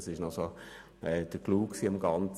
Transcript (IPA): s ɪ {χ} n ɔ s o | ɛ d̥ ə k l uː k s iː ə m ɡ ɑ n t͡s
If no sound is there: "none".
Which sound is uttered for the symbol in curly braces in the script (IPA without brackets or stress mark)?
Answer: ʃ